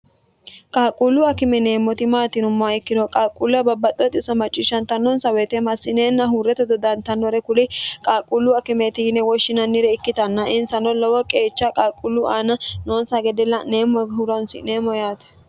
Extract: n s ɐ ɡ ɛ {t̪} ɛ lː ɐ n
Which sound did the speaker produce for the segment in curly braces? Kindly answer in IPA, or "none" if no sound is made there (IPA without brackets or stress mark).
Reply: d̪